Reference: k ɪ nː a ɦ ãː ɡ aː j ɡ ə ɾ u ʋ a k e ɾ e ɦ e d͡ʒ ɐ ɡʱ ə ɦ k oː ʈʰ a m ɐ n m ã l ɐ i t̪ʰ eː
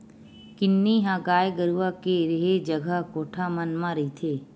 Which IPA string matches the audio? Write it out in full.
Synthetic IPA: k ɪ nː i ɦ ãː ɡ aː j ɡ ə ɾ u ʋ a k e ɾ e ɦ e d͡ʒ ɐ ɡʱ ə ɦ k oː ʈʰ a m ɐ n m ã ɾ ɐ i t̪ʰ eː

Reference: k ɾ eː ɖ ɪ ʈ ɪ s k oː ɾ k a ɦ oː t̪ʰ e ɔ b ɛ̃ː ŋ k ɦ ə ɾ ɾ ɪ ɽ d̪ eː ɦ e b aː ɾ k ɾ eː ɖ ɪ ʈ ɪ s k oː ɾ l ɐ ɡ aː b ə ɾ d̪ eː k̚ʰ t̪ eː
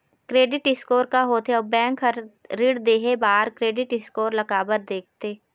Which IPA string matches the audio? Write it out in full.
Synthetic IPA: k ɾ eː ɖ ɪ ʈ ɪ s k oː ɾ k a ɦ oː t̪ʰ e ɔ b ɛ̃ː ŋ k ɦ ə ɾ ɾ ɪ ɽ d̪ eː ɦ e b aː ɾ k ɾ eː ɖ ɪ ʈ ɪ s k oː ɾ l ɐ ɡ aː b ə ɾ d̪ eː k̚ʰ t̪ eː

